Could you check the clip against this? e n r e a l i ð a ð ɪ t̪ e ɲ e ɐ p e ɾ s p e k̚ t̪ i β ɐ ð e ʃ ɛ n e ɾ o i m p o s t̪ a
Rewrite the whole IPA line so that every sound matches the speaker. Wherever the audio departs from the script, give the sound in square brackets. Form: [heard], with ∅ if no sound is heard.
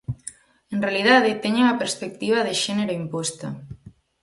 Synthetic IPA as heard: e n r e a l i ð a ð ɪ t̪ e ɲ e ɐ p e ɾ s p e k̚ t̪ i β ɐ ð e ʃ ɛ n e ɾ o i m p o s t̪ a